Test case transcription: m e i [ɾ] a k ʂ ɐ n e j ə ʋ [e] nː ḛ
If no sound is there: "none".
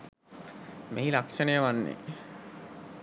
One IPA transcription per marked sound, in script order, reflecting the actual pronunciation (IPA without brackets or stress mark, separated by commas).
l, a